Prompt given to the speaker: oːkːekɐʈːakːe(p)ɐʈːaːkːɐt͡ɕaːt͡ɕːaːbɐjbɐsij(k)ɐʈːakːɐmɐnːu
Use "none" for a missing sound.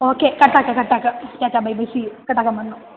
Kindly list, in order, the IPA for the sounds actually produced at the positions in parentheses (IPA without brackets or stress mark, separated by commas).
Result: k, k